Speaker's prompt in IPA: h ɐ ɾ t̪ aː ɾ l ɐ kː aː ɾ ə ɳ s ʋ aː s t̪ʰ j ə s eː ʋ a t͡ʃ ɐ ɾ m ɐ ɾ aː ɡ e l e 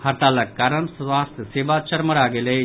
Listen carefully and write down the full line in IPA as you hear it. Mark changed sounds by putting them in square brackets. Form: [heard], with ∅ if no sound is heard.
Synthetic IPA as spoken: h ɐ ɾ t̪ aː [∅] l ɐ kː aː ɾ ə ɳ s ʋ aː s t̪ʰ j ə s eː ʋ a t͡ʃ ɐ ɾ m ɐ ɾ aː ɡ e l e